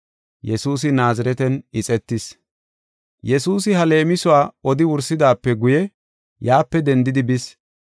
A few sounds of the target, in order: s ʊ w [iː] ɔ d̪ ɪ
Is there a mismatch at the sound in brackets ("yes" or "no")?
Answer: yes